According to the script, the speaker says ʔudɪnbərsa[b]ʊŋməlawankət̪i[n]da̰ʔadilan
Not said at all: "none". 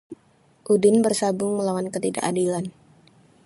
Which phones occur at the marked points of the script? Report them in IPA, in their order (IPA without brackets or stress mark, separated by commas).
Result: b, none